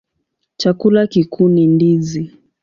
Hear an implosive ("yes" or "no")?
no